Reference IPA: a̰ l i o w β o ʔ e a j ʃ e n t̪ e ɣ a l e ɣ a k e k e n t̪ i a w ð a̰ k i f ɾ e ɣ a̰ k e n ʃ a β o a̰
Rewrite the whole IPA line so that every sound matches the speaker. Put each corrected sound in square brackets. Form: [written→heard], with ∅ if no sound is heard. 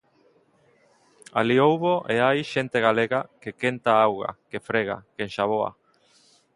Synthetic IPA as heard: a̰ l i o w β o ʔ e a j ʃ e n t̪ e ɣ a l e ɣ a k e k e n t̪ [i→a] a w [ð→ɣ] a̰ k [i→e] f ɾ e ɣ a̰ k e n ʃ a β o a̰